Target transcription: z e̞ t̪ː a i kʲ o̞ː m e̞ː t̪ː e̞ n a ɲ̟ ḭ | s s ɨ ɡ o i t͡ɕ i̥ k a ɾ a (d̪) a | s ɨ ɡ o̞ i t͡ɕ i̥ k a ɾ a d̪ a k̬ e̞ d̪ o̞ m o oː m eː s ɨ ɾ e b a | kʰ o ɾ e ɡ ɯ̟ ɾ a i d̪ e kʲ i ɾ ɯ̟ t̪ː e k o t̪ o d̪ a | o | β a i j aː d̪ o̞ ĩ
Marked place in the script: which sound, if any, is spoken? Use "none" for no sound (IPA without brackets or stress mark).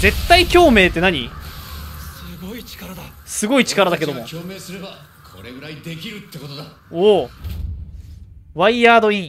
d̪